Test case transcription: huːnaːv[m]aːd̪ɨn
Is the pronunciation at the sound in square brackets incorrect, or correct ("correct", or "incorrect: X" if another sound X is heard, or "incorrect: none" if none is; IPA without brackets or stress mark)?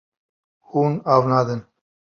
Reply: incorrect: n